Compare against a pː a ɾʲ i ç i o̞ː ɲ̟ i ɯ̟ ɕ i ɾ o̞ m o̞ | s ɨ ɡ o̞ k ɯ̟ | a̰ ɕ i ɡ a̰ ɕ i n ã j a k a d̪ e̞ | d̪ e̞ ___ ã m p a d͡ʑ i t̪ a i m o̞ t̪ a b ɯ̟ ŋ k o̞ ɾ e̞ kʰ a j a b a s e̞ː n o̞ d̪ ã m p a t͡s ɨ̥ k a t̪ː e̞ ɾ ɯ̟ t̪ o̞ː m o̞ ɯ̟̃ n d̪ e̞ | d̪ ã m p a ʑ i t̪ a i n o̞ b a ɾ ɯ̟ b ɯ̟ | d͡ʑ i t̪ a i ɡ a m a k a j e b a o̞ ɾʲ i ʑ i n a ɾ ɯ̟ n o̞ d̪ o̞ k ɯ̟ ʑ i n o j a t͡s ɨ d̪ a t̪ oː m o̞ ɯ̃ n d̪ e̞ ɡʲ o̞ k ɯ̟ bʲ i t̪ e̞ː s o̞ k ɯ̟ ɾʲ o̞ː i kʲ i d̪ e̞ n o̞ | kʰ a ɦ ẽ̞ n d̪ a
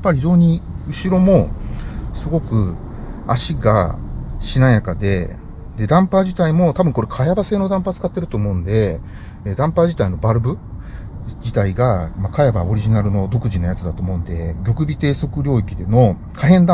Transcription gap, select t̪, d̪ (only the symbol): d̪